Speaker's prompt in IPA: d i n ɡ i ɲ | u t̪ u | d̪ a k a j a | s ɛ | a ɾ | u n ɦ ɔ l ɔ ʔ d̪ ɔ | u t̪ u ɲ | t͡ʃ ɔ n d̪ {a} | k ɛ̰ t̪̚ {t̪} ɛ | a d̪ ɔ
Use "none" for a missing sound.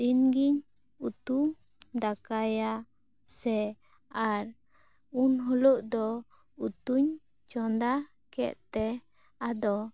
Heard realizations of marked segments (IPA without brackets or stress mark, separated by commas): a, t̪